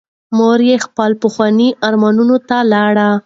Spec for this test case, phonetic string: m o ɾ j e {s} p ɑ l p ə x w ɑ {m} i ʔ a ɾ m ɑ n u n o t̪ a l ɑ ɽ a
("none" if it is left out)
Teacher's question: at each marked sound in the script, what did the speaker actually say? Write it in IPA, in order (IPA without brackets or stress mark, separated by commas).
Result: x, n